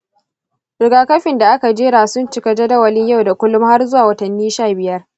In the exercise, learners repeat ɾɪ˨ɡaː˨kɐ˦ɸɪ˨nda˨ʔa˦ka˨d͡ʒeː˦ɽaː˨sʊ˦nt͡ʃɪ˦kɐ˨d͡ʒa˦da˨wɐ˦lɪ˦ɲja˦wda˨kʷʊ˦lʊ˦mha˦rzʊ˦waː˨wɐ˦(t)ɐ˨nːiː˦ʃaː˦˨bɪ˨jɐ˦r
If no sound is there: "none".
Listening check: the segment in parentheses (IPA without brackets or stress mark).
t